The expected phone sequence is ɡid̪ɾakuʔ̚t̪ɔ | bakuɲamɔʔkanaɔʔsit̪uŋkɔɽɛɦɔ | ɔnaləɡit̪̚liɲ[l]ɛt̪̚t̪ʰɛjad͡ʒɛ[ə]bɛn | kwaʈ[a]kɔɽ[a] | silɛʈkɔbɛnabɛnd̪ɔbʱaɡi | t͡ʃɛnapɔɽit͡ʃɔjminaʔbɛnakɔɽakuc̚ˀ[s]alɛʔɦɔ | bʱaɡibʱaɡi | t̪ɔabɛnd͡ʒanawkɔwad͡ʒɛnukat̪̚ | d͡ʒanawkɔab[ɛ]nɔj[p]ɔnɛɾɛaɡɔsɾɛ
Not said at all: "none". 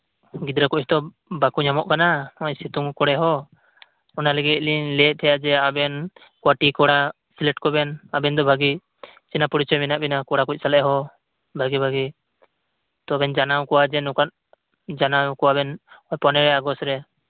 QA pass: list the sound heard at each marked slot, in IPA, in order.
l, a, i, a, s, ɛ, p

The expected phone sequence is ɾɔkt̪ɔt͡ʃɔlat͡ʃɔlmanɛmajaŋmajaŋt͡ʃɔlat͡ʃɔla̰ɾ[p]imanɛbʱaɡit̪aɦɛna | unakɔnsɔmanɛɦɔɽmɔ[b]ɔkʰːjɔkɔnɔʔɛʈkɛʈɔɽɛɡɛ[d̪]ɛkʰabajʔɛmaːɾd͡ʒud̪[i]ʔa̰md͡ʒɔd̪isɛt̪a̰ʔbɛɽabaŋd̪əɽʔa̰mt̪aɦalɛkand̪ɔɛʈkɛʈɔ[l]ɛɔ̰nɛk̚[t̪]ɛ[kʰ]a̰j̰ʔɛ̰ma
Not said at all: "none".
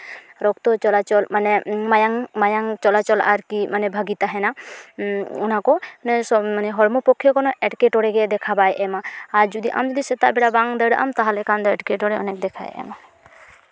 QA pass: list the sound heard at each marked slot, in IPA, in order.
k, p, d̪, i, ɽ, d̪, kʰ

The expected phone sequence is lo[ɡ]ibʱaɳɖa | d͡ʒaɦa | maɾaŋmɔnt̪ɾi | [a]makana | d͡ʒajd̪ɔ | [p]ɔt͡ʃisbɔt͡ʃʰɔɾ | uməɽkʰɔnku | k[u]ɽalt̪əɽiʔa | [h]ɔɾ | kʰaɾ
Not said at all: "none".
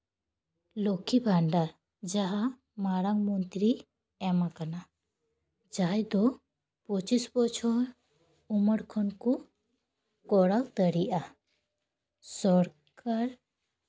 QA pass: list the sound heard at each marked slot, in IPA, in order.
k, ɛ, p, ɔ, s

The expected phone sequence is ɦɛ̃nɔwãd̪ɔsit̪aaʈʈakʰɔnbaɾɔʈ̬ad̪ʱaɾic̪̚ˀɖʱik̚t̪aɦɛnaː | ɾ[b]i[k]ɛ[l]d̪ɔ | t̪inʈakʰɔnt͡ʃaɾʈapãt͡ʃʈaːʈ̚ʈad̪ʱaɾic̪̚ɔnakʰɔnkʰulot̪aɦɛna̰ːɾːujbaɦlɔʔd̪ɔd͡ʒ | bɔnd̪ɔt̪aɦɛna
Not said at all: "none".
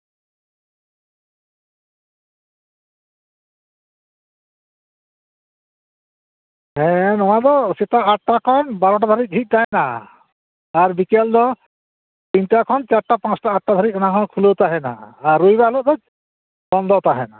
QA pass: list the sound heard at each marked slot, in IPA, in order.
b, k, l

